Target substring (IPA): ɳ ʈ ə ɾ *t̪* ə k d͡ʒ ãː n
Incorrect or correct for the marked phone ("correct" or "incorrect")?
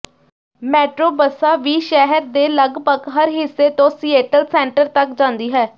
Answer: correct